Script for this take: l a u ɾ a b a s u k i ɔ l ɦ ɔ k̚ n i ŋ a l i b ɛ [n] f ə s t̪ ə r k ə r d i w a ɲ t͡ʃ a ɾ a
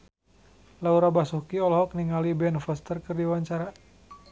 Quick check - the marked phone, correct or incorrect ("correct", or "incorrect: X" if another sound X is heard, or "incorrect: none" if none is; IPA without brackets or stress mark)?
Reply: correct